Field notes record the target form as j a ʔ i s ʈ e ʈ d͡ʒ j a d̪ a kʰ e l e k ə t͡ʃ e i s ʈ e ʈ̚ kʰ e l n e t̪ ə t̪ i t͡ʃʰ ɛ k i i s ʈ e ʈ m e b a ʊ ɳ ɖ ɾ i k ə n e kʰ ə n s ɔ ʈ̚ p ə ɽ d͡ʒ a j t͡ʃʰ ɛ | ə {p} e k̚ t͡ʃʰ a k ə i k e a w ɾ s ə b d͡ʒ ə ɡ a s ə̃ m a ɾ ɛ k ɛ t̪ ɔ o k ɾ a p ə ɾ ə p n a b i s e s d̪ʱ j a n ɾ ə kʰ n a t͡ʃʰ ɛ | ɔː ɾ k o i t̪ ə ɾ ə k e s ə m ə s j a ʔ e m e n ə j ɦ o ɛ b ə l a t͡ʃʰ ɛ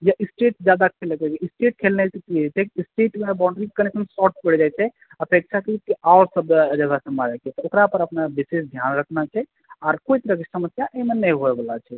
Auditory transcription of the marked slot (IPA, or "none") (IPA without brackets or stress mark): p